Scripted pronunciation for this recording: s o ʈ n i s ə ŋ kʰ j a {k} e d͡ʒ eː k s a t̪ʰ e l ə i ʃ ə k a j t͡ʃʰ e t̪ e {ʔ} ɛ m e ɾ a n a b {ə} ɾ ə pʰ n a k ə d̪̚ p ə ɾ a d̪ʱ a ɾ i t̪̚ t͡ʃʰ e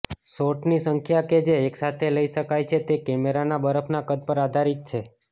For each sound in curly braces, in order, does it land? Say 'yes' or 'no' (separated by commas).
yes, no, yes